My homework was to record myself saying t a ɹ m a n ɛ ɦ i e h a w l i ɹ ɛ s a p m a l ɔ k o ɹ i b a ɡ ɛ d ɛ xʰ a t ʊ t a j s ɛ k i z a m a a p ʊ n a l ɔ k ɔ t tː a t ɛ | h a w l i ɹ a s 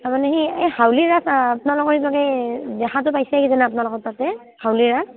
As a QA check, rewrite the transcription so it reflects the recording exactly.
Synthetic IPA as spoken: t a ɹ m a n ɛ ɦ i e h a w l i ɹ a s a p n a l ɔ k ɔ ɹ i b a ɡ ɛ d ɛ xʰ a t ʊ p a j s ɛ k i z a n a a p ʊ n a l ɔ k ɔ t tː a t ɛ | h a w l i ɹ a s